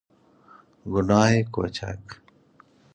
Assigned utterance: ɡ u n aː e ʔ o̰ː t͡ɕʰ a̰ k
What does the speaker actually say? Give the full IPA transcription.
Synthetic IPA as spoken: ɡ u n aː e k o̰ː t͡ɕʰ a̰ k